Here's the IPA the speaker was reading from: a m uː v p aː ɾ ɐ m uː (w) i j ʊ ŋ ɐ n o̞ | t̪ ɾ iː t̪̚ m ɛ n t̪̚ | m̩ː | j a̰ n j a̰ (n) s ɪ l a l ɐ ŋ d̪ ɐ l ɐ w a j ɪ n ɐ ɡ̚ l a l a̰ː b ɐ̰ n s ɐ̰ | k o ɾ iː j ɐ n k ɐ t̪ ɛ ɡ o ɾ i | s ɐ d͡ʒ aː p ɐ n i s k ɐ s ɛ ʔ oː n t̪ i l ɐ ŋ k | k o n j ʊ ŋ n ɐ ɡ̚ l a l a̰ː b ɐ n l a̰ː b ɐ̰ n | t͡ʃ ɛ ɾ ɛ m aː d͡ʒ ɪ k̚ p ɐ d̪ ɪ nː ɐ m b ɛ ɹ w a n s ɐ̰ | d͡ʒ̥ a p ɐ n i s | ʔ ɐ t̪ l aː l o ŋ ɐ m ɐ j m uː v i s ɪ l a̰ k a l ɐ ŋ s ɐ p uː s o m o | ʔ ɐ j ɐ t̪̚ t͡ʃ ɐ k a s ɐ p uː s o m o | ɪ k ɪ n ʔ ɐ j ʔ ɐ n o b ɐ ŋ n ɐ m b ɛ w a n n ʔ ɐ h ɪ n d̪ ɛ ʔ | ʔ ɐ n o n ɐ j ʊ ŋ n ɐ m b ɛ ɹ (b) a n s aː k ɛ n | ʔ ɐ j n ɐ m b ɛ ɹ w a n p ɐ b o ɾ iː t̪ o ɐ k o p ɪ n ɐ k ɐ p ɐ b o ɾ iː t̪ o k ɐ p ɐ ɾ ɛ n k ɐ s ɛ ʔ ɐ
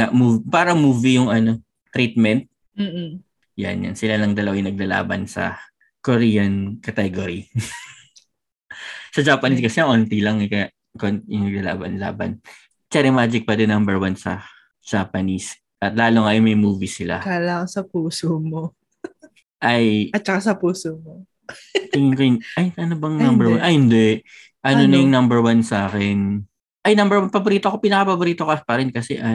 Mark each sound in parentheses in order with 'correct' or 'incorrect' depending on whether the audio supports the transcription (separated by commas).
incorrect, correct, incorrect